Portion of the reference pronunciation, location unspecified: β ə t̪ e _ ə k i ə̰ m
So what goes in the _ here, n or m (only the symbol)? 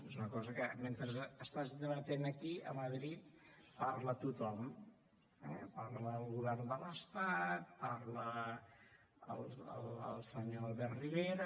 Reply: n